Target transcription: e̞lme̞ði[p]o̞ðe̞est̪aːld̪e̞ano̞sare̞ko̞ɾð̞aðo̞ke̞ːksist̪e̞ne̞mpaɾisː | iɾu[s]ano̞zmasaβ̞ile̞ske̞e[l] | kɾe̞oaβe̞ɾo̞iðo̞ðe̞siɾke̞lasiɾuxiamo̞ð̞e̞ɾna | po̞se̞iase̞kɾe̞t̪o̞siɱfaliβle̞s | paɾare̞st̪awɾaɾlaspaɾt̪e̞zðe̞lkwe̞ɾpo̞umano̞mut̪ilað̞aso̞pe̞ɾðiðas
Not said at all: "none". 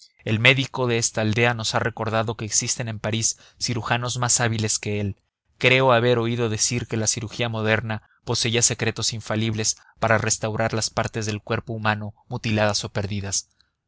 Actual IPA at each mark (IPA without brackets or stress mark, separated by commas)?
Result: k, x, l